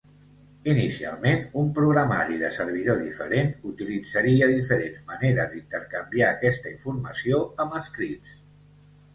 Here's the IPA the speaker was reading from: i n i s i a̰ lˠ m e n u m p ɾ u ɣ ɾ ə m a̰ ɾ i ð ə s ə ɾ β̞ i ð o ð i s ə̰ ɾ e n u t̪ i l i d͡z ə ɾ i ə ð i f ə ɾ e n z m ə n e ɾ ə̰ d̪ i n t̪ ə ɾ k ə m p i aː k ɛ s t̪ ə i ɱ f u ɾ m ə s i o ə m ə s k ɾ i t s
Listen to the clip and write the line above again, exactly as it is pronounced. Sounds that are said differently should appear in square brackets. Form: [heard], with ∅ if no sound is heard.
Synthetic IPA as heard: i n i s i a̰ lˠ m e n u m p ɾ u ɣ ɾ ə m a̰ ɾ i ð ə s ə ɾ β̞ i ð o ð i [f] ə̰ ɾ e n u t̪ i l i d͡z ə ɾ i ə ð i f ə ɾ e n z m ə n e ɾ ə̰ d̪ i n t̪ ə ɾ k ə m [b] i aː k ɛ s t̪ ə i ɱ f u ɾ m ə s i o ə m ə s k ɾ i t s

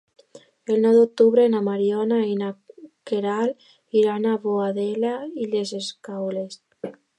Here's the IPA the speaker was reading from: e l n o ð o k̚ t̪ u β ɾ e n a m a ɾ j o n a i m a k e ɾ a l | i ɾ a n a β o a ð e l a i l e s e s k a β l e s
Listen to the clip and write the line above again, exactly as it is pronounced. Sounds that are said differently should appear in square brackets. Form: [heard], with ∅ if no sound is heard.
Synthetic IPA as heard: e l n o ð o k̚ t̪ u β ɾ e n a m a ɾ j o n a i [n] a k e ɾ a l | i ɾ a n a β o a ð e l a i l e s e s k a [w] l e s

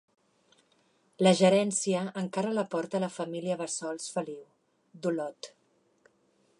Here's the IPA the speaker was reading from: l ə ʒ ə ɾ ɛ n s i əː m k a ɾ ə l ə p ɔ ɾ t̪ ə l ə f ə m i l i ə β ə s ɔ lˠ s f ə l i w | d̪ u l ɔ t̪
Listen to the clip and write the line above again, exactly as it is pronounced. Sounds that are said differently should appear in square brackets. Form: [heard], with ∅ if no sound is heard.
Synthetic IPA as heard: l ə ʒ ə ɾ ɛ n s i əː [ŋ] k a ɾ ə l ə p ɔ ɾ t̪ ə l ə f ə m i l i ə β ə s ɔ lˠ s f ə l i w | d̪ u l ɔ t̪

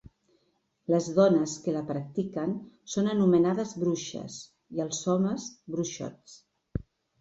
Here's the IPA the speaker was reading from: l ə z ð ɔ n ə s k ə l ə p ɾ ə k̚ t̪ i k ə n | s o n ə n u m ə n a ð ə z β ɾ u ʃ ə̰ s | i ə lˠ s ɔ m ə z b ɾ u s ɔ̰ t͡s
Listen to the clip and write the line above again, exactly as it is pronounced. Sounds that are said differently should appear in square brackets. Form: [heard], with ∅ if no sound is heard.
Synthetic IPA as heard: l ə z ð ɔ n ə s k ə l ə p ɾ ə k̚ t̪ i k ə n | s o n ə n u m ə n a ð ə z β ɾ u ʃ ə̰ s | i ə lˠ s ɔ m ə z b ɾ u [ʃ] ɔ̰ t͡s

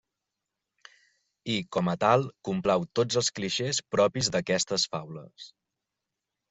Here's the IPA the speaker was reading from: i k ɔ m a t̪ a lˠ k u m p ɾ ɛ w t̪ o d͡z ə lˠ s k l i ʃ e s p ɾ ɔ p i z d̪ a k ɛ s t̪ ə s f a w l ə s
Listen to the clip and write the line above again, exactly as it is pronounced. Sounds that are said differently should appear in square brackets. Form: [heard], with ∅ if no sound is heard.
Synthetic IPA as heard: i k ɔ m [ə] t̪ a lˠ k u m p [l] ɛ w t̪ o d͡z ə lˠ s k l i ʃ e s p ɾ ɔ p i z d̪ [ə] k ɛ s t̪ ə s f a w l ə s

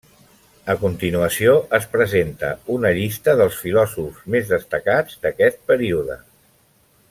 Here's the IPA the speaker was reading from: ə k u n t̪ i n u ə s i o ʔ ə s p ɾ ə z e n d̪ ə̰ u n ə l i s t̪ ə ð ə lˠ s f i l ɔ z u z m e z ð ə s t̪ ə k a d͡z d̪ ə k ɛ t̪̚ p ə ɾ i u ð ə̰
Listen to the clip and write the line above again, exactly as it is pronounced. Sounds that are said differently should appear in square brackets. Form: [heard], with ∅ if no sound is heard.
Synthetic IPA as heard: ə k u n t̪ i n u ə s i o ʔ ə s p ɾ ə z e n [t̪] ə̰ u n ə [ʎ] i s t̪ ə ð ə lˠ s f i l ɔ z u z m e z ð ə s t̪ ə k a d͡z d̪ ə k ɛ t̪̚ p ə ɾ i u ð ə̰

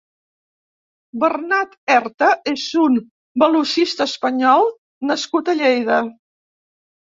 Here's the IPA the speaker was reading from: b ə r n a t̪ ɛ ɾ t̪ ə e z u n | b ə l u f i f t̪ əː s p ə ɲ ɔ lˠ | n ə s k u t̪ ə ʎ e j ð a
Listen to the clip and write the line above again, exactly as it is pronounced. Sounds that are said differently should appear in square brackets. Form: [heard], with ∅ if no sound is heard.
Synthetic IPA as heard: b ə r n a t̪ ɛ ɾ t̪ ə e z u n | b ə l u [ʃ] i [s] t̪ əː s p ə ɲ ɔ lˠ | n ə s k u t̪ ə ʎ e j ð [ə]

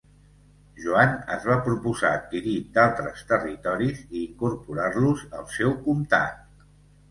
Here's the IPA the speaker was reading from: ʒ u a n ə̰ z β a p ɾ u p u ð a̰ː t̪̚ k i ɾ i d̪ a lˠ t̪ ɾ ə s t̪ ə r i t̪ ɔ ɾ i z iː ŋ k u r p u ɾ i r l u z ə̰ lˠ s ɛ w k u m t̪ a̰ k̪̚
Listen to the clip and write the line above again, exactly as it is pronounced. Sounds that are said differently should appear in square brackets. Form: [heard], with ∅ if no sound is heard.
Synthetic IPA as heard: ʒ u a n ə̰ z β a p ɾ u p u [z] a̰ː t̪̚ k i ɾ i d̪ a lˠ t̪ ɾ ə s t̪ ə r i t̪ ɔ ɾ i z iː ŋ k u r p u ɾ [a] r l u z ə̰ lˠ s ɛ w k u m t̪ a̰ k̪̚

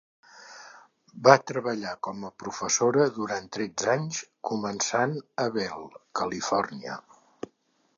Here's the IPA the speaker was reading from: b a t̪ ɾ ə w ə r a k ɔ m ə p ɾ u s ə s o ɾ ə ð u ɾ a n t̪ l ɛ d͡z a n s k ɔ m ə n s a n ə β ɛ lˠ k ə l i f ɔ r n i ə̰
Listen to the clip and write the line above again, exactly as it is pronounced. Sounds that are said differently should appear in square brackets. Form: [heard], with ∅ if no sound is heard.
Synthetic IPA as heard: b a t̪ ɾ ə [β] ə [ʎ] a k ɔ m ə p ɾ u [f] ə s o ɾ ə ð u ɾ a n t̪ [ɾ] ɛ d͡z a [ɲ] s k [u] m ə n s a n ə β ɛ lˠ k ə l i f ɔ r n i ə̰

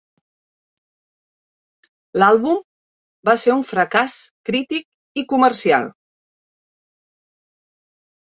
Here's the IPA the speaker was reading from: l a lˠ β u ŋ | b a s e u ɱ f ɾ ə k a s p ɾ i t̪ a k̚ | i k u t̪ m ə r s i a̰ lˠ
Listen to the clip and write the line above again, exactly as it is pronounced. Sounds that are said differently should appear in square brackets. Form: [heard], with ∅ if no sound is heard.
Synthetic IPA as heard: l a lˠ β u [m] | b a s e u ɱ f ɾ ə k a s [k] ɾ i t̪ [i] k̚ | i k u [∅] m ə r s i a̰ lˠ

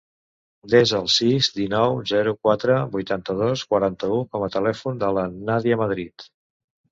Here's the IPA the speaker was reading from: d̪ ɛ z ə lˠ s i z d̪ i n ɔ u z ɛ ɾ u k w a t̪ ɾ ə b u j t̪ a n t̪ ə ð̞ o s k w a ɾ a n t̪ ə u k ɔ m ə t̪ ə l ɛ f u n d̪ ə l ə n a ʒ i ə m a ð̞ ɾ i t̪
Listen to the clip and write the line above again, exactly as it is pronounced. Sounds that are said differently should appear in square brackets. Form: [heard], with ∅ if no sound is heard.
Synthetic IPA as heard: d̪ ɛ z ə lˠ s i z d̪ i n ɔ [w] z ɛ ɾ u k w a t̪ ɾ ə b u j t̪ a n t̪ ə ð̞ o s k w [ə] ɾ a n t̪ ə u k ɔ m ə t̪ ə l ɛ f u n d̪ ə l ə n a [ð] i ə m [ə] ð̞ ɾ i t̪

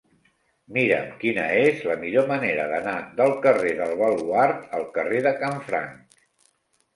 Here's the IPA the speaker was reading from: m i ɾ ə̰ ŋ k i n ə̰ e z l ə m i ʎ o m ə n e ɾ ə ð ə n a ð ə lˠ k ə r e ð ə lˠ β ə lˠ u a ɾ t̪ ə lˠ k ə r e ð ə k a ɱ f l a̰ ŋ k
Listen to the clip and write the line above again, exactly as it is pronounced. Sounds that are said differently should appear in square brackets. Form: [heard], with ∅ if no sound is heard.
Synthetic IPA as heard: m i ɾ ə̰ [m] k i n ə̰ e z l ə m i ʎ o m ə n e ɾ ə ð ə n a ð ə lˠ k ə r e ð ə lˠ β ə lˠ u a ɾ t̪ ə lˠ k ə r e ð ə k a ɱ f [ɾ] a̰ ŋ k

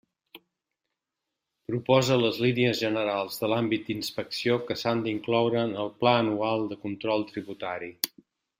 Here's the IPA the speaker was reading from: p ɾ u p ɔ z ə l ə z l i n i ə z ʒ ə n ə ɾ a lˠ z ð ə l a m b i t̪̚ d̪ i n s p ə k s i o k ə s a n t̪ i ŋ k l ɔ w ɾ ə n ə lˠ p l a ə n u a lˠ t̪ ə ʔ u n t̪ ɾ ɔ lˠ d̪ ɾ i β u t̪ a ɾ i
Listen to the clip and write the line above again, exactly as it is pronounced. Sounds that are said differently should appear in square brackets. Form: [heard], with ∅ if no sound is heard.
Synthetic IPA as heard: p ɾ u p ɔ z ə l ə z l i n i ə z ʒ ə n ə ɾ a lˠ z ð ə l a m b i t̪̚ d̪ i n s p ə k s i o k ə s a n [d̪] i ŋ k l ɔ w ɾ ə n ə lˠ p l a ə n u a lˠ [d̪] ə [k] u n t̪ ɾ ɔ lˠ [t̪] ɾ i β u t̪ a ɾ i

